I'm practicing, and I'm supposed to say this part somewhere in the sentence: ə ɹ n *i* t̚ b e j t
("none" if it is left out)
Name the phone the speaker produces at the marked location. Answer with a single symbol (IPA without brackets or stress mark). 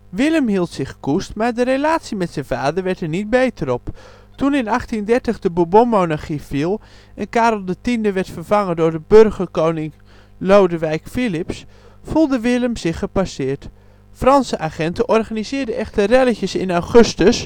i